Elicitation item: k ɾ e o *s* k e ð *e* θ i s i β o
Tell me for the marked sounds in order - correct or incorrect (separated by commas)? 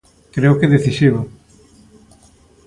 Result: incorrect, correct